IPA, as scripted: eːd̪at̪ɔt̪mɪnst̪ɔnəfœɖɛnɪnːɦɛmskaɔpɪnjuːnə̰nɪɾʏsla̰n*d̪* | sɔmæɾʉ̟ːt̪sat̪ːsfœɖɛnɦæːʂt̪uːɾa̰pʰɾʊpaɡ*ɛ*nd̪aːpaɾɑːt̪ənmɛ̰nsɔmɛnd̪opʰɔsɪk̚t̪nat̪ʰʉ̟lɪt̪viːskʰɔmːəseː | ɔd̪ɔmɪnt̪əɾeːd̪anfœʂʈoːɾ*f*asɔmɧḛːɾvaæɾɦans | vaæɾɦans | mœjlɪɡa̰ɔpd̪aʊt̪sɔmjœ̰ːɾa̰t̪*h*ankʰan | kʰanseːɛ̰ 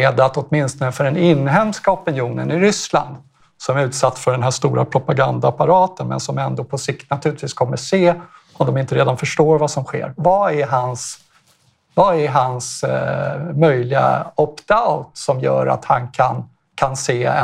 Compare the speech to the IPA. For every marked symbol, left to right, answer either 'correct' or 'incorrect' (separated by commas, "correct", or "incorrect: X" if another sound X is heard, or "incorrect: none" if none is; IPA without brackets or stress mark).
correct, incorrect: a, incorrect: v, correct